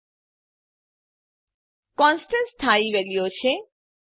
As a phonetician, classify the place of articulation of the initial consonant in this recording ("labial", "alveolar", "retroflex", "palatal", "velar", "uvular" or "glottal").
velar